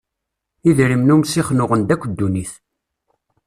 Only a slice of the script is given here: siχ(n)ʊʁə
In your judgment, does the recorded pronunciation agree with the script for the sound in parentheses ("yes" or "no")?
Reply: yes